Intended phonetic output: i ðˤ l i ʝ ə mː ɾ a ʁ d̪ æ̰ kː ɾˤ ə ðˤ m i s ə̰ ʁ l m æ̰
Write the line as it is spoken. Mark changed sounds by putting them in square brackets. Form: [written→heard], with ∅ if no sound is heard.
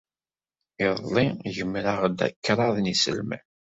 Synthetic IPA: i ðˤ l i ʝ ə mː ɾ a ʁ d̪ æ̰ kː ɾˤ [ə→ɑ] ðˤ [m→n] i s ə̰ [ʁ→∅] l m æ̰